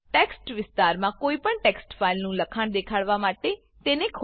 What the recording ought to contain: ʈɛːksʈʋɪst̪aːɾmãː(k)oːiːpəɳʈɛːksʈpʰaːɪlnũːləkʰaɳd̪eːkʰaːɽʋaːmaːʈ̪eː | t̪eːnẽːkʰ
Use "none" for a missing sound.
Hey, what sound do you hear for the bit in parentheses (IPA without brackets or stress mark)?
k